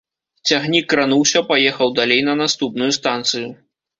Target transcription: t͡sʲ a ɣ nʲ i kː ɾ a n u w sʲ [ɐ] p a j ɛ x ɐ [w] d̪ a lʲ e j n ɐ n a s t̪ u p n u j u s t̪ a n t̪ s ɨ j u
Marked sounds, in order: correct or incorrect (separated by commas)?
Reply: correct, correct